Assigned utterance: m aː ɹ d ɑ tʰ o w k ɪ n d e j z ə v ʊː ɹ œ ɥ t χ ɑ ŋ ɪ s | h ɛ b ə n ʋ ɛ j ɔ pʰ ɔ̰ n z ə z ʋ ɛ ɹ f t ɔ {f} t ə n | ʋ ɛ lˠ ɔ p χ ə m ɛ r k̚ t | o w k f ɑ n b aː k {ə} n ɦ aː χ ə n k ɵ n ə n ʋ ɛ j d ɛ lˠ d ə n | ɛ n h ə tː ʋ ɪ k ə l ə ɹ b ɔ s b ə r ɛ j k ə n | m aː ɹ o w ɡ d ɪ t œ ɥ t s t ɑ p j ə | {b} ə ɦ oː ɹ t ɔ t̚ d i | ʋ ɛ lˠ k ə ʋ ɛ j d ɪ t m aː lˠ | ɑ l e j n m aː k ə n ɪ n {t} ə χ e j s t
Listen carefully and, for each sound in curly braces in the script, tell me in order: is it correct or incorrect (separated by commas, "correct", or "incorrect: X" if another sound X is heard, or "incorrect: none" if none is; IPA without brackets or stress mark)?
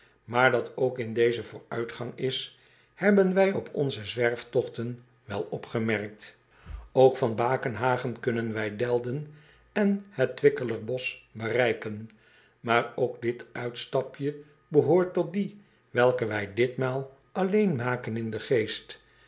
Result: incorrect: χ, correct, correct, incorrect: d